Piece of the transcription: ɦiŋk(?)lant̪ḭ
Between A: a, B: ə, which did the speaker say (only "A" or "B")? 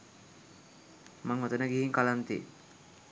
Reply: A